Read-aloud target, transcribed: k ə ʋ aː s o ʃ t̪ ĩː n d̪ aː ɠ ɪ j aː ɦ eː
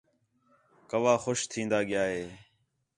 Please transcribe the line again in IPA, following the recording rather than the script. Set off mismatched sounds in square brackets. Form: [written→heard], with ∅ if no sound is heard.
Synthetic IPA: k ə ʋ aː [s→x] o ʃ [t̪→t̪ʰ] ĩː n d̪ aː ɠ ɪ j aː ɦ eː